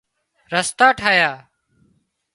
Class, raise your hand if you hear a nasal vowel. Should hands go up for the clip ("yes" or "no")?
no